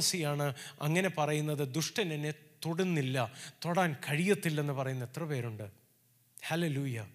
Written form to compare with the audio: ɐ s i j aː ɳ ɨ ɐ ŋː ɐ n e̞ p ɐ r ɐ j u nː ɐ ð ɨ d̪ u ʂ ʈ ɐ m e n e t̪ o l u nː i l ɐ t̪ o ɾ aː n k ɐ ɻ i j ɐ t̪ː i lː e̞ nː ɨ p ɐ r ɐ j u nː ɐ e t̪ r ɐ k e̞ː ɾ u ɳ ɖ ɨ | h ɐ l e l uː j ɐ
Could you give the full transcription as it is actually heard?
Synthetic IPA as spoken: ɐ s i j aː ɳ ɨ ɐ ŋː ɐ n e̞ p ɐ r ɐ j u nː ɐ ð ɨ d̪ u ʂ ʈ ɐ n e n e t̪ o ɽ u nː i lː ɐ t̪ o ɽ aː n k ɐ ɻ i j ɐ t̪ː i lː e̞ nː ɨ p ɐ r ɐ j u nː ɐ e t̪ r ɐ p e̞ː ɾ u ɳ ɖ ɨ | h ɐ l e l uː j ɐ